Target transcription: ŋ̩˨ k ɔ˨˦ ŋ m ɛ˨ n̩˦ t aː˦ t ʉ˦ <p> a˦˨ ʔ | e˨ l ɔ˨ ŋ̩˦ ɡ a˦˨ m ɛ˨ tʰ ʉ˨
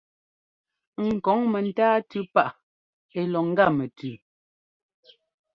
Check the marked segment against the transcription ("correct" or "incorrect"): correct